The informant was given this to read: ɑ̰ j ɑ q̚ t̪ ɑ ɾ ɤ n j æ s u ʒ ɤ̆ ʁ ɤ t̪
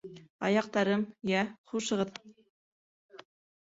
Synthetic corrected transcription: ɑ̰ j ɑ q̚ t̪ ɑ ɾ ɤ m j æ χ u ʃ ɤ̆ ʁ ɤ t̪

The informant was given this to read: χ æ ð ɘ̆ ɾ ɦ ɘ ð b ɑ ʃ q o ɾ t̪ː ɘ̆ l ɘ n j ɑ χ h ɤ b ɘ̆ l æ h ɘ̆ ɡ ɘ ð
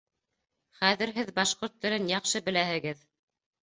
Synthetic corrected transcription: χ æ ð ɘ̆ ɾ ɦ ɘ ð b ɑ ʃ q o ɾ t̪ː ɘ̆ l ɘ n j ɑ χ ʃ ɤ b ɘ̆ l æ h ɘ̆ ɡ ɘ ð

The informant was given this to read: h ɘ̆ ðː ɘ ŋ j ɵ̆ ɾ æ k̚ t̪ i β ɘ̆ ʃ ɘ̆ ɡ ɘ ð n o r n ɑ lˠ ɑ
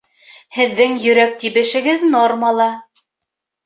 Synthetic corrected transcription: h ɘ̆ ðː ɘ ŋ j ɵ̆ ɾ æ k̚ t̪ i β ɘ̆ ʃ ɘ̆ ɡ ɘ ð n o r m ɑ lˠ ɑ

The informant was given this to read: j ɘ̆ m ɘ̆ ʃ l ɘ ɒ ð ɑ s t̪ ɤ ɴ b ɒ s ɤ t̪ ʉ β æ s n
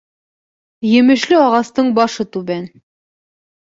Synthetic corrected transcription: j ɘ̆ m ɘ̆ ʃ l ɘ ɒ ʁ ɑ s t̪ ɤ ɴ b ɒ ʃ ɤ t̪ ʉ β æ n

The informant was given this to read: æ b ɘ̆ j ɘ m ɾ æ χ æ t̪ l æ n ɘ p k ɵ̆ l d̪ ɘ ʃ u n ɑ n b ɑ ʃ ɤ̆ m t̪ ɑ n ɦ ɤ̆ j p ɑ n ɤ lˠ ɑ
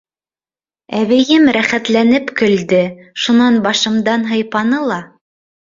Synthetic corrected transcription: æ β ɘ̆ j ɘ m ɾ æ χ æ t̪ l æ n ɘ p k ɵ̆ l d̪ ɘ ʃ u n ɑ n b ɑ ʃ ɤ̆ m d̪ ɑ n ɦ ɤ̆ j p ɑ n ɤ lˠ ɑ

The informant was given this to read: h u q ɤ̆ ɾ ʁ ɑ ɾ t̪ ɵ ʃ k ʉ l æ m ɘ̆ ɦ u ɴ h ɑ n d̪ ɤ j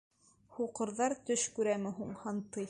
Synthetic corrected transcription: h u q ɤ̆ ɾ ð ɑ ɾ t̪ ɵ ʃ k ʉ ɾ æ m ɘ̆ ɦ u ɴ h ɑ n t̪ ɤ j

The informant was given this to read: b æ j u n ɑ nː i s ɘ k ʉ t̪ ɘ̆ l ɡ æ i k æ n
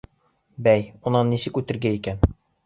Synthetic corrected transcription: b æ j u n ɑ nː i s ɘ k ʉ t̪ ɘ̆ ɾ ɡ æ i k æ n

